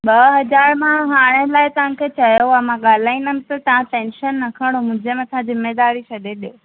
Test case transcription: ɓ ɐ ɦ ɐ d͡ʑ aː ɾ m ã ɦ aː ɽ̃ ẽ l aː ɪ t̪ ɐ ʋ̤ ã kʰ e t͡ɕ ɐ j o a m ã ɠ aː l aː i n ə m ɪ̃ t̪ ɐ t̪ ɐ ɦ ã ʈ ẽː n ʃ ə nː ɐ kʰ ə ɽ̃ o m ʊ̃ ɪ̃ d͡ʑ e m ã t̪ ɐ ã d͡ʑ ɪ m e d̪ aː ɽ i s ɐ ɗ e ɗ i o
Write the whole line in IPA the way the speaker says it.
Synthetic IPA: ɓ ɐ ɦ ɐ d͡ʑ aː ɾ m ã ɦ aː ɽ̃ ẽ l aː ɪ t̪ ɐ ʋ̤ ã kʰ e t͡ɕ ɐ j o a m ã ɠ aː l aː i n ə m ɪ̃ t̪ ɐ t̪ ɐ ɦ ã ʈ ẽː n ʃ ə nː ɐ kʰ ə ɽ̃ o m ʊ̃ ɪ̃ d͡ʑ e m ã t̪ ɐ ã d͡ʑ ɪ m e d̪ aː ɾ i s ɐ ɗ e ɗ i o